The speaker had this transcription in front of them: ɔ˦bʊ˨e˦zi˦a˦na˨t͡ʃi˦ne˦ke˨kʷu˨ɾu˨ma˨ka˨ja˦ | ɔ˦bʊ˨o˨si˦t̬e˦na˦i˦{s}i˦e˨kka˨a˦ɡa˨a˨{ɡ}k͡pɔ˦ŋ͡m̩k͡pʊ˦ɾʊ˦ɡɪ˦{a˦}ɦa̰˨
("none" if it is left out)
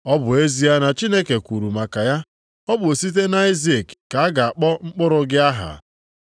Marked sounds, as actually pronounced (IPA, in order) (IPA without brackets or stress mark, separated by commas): z, none, a˦